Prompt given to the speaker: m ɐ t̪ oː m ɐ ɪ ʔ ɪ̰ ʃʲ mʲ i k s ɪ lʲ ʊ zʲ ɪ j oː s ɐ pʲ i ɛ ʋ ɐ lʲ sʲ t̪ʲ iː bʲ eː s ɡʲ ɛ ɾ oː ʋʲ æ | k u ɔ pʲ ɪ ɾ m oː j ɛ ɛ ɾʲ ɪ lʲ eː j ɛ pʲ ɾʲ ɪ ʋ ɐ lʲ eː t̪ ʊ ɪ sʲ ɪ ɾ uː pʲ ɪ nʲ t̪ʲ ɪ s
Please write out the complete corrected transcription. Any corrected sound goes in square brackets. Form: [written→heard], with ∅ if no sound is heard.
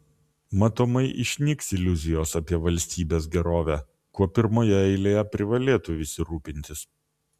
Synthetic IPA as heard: m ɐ t̪ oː m ɐ ɪ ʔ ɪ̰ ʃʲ [mʲ→nʲ] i k s ɪ lʲ ʊ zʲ ɪ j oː s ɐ pʲ i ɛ ʋ ɐ lʲ sʲ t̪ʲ iː bʲ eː s ɡʲ ɛ ɾ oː ʋʲ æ | k u ɔ pʲ ɪ ɾ m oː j ɛ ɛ [ɾʲ→∅] ɪ lʲ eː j ɛ pʲ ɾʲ ɪ ʋ ɐ lʲ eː t̪ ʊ ɪ sʲ ɪ ɾ uː pʲ ɪ nʲ t̪ʲ ɪ s